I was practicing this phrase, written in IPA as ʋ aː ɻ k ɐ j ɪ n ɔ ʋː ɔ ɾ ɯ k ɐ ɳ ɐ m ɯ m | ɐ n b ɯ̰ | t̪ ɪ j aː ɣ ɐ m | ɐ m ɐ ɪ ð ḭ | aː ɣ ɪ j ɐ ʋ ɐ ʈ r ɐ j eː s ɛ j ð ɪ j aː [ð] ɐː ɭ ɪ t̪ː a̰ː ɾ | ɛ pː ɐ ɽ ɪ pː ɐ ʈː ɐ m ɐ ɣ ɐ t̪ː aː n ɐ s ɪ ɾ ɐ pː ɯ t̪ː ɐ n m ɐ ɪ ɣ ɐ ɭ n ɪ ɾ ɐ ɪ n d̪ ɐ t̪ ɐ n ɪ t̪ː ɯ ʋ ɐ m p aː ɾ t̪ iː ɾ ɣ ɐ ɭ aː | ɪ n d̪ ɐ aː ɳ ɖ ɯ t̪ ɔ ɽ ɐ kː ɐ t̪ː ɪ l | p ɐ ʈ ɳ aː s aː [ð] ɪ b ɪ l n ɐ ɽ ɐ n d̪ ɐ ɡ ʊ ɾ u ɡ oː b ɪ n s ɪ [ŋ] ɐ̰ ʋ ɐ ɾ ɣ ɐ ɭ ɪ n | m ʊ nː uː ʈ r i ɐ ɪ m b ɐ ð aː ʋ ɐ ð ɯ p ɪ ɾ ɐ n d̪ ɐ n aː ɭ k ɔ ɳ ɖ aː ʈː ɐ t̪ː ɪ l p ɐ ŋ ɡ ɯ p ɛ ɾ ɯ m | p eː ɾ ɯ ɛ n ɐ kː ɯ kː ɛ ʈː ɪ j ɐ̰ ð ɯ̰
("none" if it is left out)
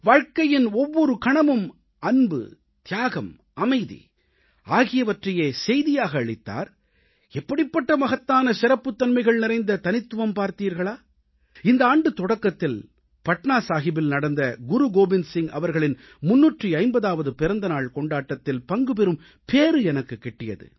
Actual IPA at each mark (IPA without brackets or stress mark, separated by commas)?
ɣ, ɣ, ŋ